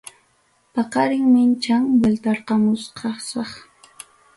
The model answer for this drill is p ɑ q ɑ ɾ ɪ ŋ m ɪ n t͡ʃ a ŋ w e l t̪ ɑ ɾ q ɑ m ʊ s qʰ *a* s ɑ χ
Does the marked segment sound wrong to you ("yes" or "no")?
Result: yes